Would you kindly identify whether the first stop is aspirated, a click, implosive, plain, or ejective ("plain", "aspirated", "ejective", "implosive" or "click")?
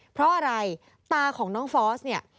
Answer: aspirated